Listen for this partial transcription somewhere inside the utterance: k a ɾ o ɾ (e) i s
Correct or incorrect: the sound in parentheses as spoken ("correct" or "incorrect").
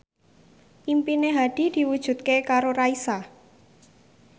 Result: incorrect